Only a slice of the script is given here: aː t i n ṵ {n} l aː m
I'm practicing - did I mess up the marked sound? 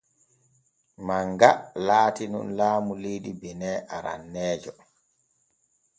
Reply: no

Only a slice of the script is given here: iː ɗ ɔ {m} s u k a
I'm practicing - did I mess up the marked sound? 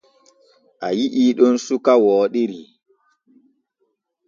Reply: yes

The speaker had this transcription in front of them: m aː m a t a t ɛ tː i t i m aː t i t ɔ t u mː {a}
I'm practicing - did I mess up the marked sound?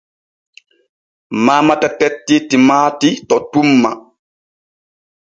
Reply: no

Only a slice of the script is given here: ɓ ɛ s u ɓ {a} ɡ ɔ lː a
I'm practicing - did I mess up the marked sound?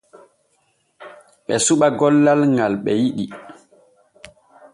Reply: no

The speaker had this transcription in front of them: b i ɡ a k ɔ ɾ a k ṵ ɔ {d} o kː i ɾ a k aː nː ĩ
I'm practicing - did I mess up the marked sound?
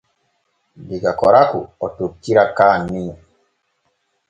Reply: yes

